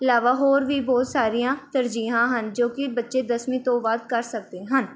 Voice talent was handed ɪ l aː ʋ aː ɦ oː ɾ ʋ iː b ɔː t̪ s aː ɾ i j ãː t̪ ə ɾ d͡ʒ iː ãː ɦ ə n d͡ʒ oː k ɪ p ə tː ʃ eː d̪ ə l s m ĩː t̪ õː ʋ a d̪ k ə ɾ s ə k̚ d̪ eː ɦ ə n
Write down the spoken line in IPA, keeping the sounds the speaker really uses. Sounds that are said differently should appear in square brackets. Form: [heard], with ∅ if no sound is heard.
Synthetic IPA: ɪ l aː ʋ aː ɦ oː ɾ ʋ iː b ɔː t̪ s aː ɾ i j ãː t̪ ə ɾ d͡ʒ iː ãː ɦ ə n d͡ʒ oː k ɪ [b] ə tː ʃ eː d̪ ə [∅] s m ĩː t̪ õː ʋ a d̪ k ə ɾ s ə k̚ d̪ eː ɦ ə n